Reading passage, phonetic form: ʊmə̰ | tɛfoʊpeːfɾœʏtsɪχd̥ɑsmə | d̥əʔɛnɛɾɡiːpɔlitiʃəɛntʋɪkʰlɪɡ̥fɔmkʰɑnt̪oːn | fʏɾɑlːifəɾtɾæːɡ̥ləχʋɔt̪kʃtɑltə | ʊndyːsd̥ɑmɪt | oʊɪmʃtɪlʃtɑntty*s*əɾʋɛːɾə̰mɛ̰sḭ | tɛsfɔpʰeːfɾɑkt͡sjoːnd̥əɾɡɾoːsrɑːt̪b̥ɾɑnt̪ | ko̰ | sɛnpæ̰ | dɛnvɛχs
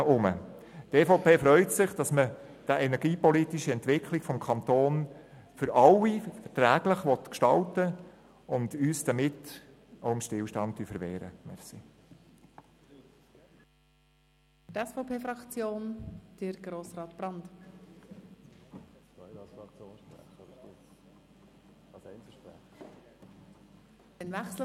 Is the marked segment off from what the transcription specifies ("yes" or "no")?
yes